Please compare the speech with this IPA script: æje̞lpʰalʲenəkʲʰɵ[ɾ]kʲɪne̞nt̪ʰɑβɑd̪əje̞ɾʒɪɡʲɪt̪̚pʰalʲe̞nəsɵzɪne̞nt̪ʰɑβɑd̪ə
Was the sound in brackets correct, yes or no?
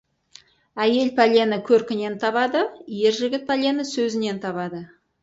yes